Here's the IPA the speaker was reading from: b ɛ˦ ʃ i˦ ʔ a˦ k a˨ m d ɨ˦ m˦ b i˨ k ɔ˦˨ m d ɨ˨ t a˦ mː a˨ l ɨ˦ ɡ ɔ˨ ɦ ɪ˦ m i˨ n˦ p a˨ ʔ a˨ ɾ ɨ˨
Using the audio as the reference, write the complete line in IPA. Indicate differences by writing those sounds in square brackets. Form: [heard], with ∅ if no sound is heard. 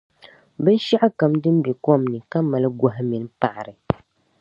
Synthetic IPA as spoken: b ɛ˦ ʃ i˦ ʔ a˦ k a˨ m d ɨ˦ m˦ b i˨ k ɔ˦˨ m [n] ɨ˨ [k] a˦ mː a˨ l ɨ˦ ɡ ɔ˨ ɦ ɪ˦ m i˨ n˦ p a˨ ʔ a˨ ɾ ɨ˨